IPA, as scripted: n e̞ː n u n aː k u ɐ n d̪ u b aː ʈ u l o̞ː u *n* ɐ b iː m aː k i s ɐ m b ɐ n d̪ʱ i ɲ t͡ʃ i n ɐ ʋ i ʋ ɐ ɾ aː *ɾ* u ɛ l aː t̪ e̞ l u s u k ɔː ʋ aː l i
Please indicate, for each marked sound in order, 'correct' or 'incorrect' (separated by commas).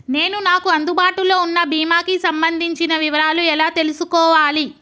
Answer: incorrect, incorrect